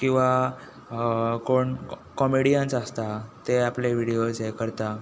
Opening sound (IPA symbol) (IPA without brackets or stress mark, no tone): k